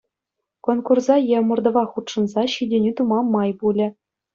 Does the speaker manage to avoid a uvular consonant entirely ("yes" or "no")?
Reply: no